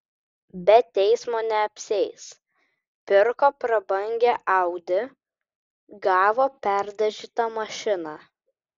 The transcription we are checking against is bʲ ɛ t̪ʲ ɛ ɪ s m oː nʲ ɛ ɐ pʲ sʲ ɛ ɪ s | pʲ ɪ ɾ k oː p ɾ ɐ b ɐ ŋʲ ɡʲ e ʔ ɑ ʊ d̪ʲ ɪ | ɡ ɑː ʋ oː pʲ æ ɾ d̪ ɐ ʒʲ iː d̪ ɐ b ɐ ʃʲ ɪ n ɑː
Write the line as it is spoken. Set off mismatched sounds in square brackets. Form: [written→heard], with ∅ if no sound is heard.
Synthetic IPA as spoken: bʲ ɛ t̪ʲ ɛ ɪ s m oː nʲ ɛ ɐ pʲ sʲ ɛ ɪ s | pʲ ɪ ɾ k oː p ɾ ɐ b ɐ ŋʲ ɡʲ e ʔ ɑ ʊ d̪ʲ ɪ | ɡ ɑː ʋ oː pʲ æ ɾ d̪ ɐ ʒʲ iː [d̪→t̪] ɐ [b→m] ɐ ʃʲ ɪ n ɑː